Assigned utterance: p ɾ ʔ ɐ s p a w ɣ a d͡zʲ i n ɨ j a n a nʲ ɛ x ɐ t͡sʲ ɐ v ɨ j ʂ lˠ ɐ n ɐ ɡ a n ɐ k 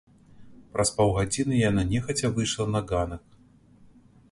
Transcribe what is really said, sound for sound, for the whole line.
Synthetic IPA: p ɾ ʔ ɐ s p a w ɣ a d͡zʲ i n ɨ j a n a nʲ ɛ x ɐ t͡sʲ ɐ v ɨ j ʂ lˠ ɐ n ɐ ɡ a n ɐ k